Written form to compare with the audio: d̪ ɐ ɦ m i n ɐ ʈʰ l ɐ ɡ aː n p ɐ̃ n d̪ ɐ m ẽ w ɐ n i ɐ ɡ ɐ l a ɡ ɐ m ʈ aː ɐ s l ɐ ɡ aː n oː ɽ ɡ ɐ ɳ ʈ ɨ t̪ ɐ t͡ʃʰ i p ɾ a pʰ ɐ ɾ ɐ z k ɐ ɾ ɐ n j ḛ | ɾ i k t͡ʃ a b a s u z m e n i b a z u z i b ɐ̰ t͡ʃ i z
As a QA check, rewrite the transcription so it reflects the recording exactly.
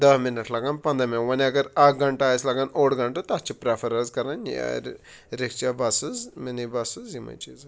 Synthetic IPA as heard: d̪ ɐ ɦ m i n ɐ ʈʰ l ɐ ɡ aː n p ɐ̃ n d̪ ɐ m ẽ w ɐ n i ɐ ɡ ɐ ɾ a ɡ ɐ ɳ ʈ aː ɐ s l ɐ ɡ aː n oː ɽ ɡ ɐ ɳ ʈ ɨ t̪ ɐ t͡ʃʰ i p ɾ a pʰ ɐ ɾ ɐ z k ɐ ɾ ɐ n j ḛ | ɾ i k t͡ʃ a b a s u z m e n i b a s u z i m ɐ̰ t͡ʃ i z